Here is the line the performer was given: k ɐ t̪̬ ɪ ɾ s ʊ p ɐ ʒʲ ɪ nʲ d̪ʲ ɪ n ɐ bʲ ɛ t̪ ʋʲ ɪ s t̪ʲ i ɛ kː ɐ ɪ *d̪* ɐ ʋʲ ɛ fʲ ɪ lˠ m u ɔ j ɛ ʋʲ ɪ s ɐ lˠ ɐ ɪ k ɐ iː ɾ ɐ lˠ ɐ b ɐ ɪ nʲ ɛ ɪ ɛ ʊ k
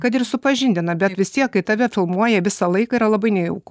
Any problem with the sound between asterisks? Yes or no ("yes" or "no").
yes